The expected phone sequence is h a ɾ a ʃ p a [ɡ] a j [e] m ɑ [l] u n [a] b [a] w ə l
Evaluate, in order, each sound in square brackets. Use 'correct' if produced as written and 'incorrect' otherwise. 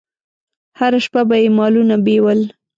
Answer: incorrect, correct, correct, correct, incorrect

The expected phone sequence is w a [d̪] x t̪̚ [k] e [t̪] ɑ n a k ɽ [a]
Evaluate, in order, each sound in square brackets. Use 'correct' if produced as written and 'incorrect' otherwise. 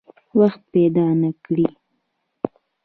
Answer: incorrect, incorrect, incorrect, incorrect

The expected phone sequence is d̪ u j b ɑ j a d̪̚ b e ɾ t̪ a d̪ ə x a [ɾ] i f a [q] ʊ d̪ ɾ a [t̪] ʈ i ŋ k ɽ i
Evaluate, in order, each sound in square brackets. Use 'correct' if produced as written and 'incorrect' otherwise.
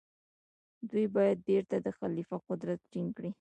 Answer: incorrect, correct, correct

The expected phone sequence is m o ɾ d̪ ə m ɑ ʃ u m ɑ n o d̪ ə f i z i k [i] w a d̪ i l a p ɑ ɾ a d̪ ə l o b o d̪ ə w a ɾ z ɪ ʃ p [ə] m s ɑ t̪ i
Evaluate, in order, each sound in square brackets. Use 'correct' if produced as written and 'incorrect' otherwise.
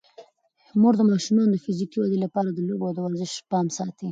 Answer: correct, incorrect

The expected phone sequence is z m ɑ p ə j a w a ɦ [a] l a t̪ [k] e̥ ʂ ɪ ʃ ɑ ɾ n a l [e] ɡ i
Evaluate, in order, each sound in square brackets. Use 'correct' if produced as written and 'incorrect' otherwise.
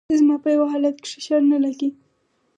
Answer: incorrect, correct, incorrect

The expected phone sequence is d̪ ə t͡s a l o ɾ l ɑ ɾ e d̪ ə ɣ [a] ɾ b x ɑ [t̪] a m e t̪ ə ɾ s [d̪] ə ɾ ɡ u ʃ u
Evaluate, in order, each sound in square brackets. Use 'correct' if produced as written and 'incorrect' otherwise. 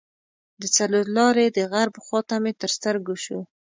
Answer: correct, correct, incorrect

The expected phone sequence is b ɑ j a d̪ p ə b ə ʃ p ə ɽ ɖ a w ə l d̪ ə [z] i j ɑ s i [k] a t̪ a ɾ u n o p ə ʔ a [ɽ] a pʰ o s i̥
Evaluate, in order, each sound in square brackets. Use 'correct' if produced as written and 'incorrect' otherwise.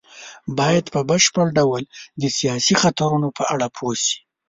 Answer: incorrect, incorrect, correct

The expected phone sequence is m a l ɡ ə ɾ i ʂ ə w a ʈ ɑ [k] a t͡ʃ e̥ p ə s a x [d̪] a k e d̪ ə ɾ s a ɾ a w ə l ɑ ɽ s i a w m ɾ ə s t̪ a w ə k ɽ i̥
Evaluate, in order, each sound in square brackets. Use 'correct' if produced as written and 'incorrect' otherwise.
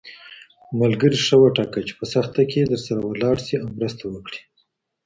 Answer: correct, incorrect

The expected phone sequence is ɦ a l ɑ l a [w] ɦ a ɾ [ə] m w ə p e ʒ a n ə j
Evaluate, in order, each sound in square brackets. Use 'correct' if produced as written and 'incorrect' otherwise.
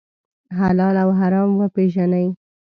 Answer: correct, incorrect

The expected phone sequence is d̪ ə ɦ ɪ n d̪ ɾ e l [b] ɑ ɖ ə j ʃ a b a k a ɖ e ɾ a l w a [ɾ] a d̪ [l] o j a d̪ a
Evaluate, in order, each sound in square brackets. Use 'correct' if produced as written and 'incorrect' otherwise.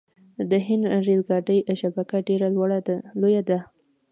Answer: incorrect, incorrect, correct

